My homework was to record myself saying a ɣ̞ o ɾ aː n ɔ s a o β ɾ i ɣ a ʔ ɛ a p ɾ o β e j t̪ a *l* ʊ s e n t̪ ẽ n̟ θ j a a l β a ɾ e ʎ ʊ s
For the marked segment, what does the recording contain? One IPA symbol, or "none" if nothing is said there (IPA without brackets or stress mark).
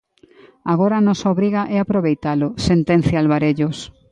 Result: l